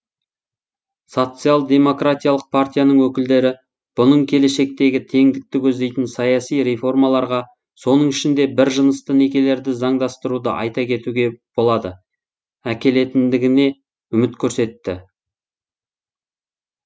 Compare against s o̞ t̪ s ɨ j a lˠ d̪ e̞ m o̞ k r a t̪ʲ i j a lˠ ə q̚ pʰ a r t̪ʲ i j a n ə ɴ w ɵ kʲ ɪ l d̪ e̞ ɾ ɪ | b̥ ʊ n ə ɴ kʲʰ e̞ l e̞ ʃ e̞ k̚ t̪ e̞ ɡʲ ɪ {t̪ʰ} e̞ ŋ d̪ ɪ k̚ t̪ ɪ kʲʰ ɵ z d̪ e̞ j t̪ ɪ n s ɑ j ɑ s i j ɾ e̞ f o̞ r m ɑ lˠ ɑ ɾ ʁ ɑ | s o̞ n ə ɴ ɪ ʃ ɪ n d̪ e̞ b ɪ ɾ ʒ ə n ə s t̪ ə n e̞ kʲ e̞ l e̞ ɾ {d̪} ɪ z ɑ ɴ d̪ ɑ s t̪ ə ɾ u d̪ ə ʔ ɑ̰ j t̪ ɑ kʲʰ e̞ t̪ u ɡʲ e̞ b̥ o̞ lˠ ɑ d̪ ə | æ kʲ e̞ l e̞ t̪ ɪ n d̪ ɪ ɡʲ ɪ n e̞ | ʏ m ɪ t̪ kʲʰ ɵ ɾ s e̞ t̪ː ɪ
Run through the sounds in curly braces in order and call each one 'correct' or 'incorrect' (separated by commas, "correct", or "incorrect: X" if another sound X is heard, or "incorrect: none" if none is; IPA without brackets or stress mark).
correct, correct